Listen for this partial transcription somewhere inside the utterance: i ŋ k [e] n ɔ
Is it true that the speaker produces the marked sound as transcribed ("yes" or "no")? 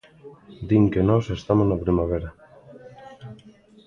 yes